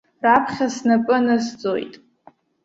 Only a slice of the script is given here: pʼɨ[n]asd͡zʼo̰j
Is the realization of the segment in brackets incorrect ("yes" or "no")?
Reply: no